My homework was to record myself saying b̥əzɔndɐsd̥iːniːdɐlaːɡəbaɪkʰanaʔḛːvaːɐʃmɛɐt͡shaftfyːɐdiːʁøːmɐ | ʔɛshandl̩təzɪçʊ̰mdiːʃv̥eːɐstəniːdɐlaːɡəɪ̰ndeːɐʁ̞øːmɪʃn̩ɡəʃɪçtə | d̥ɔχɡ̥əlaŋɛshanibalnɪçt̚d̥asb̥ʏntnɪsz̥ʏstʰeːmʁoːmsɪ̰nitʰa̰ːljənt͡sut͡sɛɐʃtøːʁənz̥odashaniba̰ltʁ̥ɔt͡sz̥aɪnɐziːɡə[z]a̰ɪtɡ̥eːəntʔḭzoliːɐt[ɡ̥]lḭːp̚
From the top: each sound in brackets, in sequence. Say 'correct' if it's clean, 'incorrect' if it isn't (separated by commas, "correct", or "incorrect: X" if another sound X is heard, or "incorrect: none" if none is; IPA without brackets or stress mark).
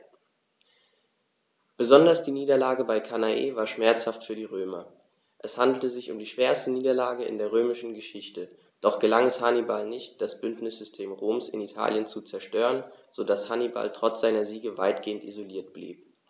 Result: incorrect: v, incorrect: b̥